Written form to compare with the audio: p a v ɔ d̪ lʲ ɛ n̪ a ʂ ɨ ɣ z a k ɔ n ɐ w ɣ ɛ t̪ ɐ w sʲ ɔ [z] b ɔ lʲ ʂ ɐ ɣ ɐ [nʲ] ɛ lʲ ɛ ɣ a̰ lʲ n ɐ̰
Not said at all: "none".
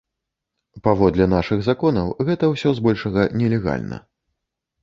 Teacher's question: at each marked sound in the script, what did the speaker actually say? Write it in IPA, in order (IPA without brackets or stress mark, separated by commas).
z, nʲ